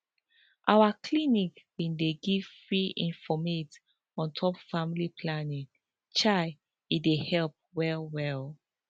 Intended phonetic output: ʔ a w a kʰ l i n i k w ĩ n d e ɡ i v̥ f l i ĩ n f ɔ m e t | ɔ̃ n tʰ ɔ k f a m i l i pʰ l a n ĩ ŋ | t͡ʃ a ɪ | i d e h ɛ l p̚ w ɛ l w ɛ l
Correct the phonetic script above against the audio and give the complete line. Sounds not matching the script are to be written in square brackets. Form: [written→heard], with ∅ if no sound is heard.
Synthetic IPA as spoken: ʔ a w a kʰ l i n i k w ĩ n d e ɡ i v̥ f [l→ɹ] i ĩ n f ɔ m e t | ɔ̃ n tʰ ɔ [k→p] f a m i l i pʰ l a n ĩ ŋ | t͡ʃ a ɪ | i d e h ɛ l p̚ w ɛ l w ɛ l